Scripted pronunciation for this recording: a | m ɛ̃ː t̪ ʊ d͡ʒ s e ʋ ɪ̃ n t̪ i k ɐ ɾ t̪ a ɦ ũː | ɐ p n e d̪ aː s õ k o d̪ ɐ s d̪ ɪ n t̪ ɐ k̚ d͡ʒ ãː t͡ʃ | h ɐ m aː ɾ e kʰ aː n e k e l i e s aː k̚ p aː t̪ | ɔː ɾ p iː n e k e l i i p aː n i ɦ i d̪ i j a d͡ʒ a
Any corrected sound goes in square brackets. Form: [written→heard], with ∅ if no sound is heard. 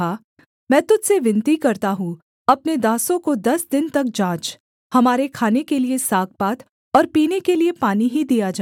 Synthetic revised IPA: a | m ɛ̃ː t̪ ʊ d͡ʒ s e ʋ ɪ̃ n t̪ i k ɐ ɾ t̪ a ɦ [ũː→ũ] | ɐ p n e d̪ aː s õ k o d̪ ɐ s d̪ ɪ n t̪ ɐ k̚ d͡ʒ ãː t͡ʃ | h ɐ m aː ɾ e kʰ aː n e k e l i e s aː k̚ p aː t̪ | ɔː ɾ p iː n e k e l i [i→e] p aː n i ɦ i d̪ i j a d͡ʒ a